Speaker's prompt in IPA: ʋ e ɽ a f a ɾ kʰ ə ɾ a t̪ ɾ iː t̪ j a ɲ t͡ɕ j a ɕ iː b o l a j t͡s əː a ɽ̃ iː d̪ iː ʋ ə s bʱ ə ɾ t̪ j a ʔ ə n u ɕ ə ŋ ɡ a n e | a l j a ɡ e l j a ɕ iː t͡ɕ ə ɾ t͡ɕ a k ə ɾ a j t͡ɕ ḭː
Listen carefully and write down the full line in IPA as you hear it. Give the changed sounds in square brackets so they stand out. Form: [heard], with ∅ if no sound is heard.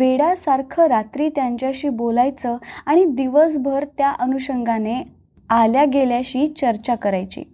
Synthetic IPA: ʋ e ɽ a [s] a ɾ kʰ ə ɾ a t̪ ɾ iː t̪ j a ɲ t͡ɕ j a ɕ iː b o l a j t͡s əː a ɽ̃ [i] d̪ [i] ʋ ə s bʱ ə ɾ t̪ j a ʔ ə n u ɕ ə ŋ ɡ a n e | a l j a ɡ e l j a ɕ iː t͡ɕ ə ɾ t͡ɕ a k ə ɾ a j t͡ɕ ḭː